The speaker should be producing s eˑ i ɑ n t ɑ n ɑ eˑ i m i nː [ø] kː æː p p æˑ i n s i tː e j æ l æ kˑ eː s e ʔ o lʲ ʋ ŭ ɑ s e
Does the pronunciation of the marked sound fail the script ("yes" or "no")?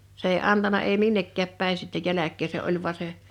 yes